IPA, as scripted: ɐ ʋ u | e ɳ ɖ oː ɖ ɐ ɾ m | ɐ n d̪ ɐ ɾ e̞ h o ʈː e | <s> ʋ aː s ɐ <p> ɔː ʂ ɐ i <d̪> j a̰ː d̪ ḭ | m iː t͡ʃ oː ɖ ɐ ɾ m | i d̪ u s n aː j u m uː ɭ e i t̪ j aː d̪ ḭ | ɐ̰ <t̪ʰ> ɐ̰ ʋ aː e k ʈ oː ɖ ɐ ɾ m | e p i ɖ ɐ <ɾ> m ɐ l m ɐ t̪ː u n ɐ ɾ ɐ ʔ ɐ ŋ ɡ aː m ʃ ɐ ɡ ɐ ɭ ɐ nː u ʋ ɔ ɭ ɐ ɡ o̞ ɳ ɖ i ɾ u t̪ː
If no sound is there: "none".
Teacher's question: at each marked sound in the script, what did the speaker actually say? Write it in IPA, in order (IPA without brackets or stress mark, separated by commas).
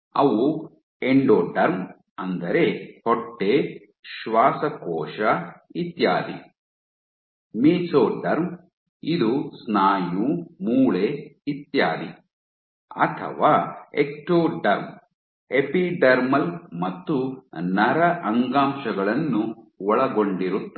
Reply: ʃ, k, t̪, t̪ʰ, ɾ